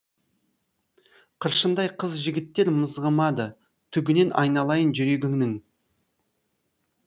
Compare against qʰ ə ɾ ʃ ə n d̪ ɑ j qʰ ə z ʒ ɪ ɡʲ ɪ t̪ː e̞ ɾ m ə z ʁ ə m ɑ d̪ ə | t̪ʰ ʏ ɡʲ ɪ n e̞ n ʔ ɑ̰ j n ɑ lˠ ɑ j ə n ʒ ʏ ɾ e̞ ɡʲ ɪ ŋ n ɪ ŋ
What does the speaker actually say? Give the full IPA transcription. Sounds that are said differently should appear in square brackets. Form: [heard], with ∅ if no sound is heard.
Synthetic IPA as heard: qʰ ə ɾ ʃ ə n d̪ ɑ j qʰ ə z ʒ ɪ ɡʲ ɪ t̪ː e̞ ɾ m ə z ʁ ə m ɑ d̪ ə | t̪ʰ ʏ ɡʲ ɪ n e̞ n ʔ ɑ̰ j n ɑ lˠ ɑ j ə n ʒ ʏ ɾ e̞ ɡʲ ɪ ŋ n ɪ ŋ